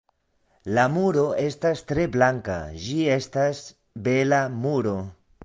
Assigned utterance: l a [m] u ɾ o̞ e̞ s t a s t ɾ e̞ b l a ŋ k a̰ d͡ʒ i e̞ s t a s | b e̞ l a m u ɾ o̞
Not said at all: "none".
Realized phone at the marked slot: m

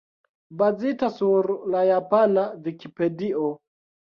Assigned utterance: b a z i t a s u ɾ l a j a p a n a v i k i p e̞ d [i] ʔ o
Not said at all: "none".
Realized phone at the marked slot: i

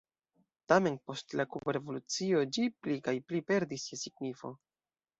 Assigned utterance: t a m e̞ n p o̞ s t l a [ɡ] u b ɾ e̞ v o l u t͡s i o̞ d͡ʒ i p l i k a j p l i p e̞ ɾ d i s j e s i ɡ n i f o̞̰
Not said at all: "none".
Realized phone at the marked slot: k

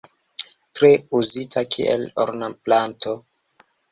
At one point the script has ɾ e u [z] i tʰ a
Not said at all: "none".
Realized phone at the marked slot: z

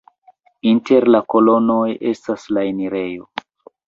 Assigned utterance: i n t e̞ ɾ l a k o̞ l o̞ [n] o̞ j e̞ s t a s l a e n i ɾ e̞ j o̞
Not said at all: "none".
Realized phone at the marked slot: n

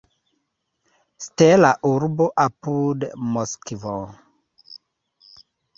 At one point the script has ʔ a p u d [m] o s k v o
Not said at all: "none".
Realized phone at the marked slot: m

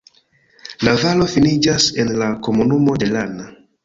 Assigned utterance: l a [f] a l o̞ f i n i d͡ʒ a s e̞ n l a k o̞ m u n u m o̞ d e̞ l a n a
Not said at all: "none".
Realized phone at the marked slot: v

